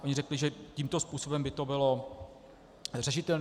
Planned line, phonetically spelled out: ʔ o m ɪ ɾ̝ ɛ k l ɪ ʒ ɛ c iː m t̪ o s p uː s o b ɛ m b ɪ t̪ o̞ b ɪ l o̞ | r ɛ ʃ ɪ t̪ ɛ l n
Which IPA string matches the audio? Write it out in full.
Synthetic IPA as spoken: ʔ o ɲ ɪ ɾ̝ ɛ k l ɪ ʒ ɛ c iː m t̪ o s p uː s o b ɛ m b ɪ t̪ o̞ b ɪ l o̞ | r ɛ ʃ ɪ t̪ ɛ l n